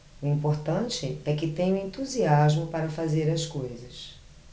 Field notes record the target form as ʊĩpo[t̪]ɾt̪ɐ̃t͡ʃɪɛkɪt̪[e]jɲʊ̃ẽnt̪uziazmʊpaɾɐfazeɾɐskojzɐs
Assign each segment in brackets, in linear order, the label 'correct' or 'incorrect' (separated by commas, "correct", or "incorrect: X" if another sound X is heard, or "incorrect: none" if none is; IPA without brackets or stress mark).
incorrect: none, incorrect: ẽ